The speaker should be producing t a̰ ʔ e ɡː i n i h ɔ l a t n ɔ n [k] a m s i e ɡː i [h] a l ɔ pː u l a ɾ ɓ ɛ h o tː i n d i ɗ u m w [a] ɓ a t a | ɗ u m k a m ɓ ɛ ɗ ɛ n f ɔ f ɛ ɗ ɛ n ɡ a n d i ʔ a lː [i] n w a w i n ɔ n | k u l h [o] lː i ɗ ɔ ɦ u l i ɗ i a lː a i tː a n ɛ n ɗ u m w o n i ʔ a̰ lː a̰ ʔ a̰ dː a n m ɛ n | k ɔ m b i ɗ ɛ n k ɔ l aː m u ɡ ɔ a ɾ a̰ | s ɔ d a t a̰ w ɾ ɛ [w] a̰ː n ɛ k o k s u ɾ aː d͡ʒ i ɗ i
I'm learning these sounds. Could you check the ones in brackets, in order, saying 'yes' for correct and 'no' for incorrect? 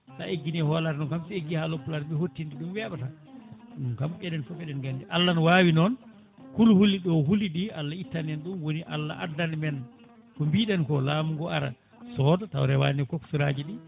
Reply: yes, yes, no, no, no, yes

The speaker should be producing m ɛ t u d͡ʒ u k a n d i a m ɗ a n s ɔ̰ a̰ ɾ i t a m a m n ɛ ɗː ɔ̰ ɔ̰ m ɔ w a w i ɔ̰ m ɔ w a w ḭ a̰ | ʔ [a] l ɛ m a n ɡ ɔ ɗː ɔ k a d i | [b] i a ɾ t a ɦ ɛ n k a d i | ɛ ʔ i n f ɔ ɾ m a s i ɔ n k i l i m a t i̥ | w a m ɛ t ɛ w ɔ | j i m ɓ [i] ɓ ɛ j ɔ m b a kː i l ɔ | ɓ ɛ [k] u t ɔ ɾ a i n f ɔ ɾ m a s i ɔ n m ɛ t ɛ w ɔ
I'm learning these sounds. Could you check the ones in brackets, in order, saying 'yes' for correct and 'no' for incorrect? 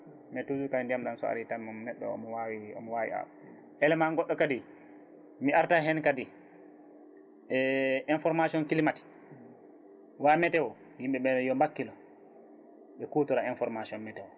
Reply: no, no, no, yes

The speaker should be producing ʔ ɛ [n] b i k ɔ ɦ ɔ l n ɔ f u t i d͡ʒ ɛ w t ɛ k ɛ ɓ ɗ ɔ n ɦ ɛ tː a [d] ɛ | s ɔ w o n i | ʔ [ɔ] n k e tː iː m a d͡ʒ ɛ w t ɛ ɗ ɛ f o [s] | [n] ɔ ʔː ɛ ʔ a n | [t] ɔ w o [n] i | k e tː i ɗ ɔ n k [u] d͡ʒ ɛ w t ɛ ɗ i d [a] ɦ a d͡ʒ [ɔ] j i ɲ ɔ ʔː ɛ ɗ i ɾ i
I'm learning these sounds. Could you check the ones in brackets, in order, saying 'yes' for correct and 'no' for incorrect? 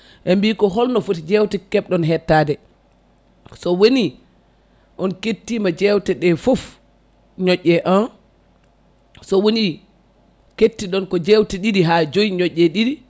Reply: no, yes, yes, no, no, no, yes, no, no, no

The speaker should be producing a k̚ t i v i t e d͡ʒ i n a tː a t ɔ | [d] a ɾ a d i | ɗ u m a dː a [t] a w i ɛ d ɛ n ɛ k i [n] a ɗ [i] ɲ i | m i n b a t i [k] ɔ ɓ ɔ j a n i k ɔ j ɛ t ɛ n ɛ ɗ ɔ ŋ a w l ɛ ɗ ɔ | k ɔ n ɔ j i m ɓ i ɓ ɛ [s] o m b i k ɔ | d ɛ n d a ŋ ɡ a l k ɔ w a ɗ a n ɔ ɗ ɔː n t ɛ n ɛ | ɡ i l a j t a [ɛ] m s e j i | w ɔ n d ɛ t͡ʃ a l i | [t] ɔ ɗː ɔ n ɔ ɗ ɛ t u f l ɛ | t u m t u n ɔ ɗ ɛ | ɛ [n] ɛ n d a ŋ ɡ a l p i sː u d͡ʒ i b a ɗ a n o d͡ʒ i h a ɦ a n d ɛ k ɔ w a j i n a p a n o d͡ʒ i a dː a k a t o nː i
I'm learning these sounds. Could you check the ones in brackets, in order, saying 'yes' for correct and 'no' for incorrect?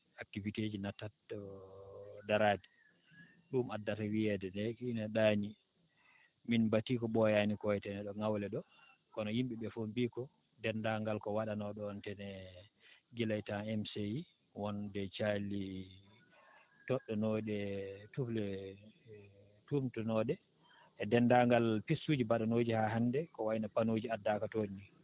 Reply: yes, yes, yes, no, yes, no, yes, yes, no

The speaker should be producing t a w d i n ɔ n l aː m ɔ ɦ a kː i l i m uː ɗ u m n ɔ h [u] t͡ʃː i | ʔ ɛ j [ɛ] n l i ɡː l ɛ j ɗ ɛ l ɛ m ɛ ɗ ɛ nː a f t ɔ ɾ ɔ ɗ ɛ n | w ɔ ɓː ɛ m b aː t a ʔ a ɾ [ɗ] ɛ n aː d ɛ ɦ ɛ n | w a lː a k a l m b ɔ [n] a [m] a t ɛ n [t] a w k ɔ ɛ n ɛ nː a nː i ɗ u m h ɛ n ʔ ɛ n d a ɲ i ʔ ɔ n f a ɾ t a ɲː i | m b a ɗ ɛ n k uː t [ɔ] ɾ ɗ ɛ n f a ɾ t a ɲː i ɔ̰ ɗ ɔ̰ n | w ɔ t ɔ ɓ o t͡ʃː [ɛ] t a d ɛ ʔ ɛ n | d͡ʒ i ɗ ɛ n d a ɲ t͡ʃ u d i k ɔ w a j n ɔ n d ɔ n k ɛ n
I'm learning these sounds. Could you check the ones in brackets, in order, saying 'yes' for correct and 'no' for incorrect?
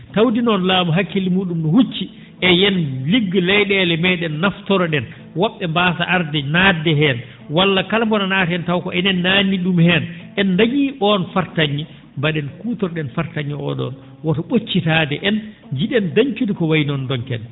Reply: yes, yes, no, yes, no, yes, yes, no

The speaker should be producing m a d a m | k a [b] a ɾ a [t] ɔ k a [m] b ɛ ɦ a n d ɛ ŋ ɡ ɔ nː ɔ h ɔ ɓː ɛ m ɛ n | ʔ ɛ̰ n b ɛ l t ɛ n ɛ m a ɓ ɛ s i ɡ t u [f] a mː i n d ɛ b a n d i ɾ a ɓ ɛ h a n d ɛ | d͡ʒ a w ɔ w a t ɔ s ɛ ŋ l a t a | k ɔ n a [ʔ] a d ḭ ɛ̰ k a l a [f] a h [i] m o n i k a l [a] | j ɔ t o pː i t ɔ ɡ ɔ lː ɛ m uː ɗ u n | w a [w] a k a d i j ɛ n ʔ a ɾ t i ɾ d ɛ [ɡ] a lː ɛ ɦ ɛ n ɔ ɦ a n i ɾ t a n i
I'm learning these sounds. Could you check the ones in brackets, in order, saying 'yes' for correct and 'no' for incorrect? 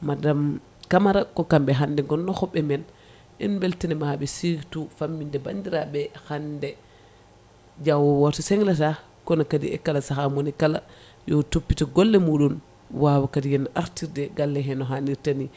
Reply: no, no, yes, yes, no, no, no, yes, yes, yes

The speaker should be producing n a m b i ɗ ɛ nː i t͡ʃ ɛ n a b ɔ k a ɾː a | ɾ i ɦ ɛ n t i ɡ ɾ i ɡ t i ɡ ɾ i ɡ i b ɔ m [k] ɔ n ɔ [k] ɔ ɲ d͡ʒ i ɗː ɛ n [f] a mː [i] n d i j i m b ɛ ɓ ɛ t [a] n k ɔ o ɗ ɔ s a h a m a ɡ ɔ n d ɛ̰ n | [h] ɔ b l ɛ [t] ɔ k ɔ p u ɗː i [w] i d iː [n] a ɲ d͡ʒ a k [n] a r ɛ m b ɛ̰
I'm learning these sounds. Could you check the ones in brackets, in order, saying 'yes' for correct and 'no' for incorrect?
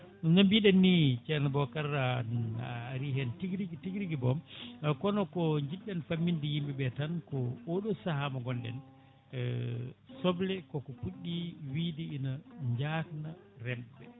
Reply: yes, yes, yes, yes, yes, no, no, yes, yes, yes

